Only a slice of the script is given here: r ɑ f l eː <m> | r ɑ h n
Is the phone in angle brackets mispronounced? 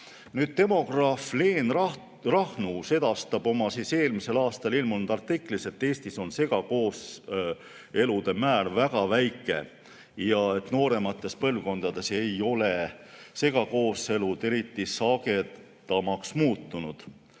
yes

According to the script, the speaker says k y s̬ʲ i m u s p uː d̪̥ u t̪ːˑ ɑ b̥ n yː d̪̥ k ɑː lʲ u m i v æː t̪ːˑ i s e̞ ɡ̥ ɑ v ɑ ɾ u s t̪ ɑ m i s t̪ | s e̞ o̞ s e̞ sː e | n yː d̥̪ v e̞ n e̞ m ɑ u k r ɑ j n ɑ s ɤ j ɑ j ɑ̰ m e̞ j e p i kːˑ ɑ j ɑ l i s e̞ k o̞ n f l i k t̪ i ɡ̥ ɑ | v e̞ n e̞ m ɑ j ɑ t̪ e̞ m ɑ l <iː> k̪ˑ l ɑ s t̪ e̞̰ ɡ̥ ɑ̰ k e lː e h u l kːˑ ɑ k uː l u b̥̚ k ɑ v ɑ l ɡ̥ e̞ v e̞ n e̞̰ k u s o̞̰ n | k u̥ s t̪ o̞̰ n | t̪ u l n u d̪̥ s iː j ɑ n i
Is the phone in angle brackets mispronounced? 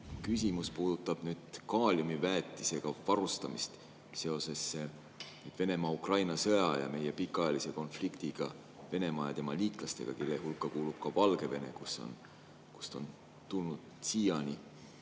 no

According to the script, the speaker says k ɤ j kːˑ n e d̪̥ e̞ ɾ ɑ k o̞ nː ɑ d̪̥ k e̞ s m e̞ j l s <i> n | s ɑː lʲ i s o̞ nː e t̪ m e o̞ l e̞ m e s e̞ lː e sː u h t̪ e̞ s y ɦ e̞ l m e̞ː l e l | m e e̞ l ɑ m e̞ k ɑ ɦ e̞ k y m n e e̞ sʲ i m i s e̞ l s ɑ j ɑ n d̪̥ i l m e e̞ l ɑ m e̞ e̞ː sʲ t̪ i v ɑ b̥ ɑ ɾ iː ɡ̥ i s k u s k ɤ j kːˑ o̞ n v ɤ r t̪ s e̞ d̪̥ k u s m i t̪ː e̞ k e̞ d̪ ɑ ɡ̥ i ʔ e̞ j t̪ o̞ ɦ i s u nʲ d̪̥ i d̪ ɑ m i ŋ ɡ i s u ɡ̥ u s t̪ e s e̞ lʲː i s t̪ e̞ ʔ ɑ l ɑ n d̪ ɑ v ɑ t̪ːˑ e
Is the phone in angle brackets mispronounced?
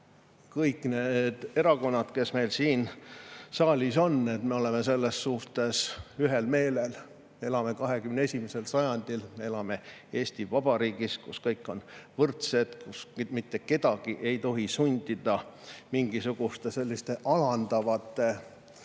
yes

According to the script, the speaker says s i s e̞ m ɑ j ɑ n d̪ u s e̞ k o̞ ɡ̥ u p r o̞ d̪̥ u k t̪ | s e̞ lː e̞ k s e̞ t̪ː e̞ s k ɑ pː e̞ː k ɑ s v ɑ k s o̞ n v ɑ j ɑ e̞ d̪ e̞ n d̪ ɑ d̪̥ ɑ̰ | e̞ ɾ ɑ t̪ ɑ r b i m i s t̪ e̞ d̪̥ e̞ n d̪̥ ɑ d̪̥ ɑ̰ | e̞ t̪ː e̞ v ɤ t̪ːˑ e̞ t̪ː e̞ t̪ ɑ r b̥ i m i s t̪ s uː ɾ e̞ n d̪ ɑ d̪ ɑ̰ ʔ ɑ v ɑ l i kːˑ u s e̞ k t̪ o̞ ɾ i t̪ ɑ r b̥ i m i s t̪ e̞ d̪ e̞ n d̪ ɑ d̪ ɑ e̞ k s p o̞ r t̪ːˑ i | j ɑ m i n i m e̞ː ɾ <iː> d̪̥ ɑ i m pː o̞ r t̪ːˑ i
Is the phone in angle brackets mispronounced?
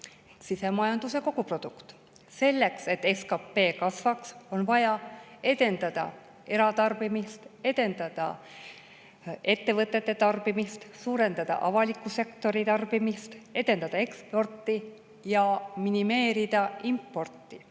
yes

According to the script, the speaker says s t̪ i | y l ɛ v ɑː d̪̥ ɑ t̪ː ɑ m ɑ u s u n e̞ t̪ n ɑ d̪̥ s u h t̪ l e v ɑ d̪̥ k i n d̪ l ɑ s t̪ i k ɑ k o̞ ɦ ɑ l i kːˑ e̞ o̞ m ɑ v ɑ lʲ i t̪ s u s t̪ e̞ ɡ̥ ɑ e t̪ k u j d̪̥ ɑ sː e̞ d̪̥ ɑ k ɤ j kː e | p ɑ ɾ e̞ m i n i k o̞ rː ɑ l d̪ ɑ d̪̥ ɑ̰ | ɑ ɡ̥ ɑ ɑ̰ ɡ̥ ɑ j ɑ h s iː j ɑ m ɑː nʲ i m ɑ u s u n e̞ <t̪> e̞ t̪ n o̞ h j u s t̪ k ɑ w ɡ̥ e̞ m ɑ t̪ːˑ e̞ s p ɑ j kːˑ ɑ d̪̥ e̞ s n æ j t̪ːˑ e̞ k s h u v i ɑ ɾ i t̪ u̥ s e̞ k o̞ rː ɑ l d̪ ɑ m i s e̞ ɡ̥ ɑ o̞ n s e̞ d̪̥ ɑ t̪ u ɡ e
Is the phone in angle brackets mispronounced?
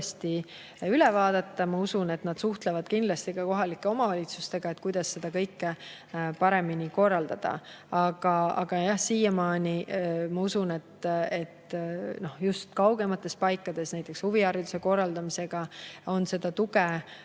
no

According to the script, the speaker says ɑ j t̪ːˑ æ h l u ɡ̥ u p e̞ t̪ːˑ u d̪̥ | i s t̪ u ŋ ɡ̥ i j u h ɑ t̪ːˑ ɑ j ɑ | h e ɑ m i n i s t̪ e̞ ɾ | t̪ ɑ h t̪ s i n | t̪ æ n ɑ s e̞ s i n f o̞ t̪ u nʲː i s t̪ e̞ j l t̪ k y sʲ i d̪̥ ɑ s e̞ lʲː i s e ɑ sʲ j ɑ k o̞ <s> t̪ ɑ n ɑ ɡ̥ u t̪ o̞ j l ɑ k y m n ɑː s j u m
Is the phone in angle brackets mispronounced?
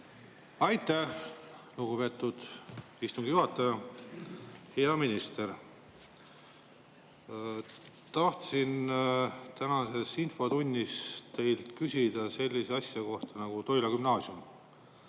yes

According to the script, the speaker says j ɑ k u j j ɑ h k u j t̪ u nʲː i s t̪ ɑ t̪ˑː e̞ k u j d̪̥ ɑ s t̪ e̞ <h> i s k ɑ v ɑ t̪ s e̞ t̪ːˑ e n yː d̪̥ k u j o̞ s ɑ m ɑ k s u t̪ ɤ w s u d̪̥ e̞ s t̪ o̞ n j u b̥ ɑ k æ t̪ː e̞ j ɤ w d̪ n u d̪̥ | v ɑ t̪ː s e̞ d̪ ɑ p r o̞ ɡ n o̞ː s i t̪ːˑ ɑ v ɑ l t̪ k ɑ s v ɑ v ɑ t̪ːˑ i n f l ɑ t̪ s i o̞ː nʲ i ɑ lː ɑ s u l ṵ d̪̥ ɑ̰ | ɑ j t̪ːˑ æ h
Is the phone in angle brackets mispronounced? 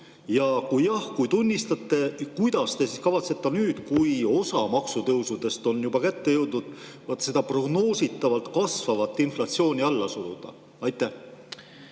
yes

